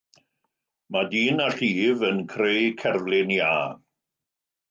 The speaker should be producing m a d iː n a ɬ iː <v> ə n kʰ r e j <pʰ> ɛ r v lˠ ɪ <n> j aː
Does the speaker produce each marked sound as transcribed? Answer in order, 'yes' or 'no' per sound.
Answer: yes, no, yes

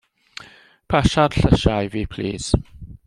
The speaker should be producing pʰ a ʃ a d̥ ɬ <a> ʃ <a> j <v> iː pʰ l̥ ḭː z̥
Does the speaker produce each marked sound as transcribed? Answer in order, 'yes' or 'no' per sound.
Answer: no, yes, yes

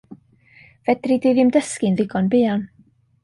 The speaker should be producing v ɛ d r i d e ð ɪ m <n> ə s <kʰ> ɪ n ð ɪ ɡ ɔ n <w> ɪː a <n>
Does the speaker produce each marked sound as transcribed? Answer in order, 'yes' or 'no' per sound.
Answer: no, no, no, yes

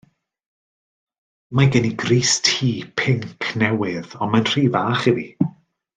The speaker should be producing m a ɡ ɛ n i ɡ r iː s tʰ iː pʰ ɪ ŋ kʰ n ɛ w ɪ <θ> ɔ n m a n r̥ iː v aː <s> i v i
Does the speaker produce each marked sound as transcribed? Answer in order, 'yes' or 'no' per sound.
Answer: no, no

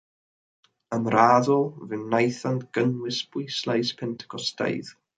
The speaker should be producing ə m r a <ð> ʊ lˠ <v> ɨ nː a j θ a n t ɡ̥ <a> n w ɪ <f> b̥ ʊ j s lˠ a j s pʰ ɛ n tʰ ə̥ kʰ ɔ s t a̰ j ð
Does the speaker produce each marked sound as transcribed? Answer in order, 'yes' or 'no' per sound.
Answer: yes, yes, no, no

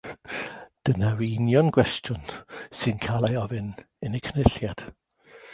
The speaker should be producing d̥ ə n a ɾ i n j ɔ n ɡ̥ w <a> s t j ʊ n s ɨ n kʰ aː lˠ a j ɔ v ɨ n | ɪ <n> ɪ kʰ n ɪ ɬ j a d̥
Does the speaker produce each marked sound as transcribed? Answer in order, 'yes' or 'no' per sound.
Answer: no, yes

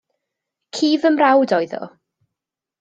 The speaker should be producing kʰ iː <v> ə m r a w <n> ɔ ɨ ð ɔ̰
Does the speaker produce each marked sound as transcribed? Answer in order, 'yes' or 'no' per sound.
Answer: yes, no

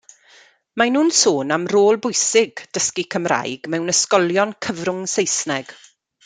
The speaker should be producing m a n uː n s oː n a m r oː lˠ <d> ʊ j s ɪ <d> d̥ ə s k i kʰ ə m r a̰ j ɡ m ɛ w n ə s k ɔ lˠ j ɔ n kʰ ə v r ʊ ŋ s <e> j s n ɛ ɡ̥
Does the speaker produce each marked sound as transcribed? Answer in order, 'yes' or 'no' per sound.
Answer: no, no, yes

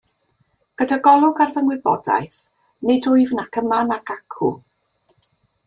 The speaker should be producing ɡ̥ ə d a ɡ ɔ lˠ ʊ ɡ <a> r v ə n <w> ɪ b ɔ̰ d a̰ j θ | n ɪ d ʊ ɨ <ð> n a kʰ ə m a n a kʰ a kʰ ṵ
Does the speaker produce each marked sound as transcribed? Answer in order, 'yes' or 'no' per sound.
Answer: yes, yes, no

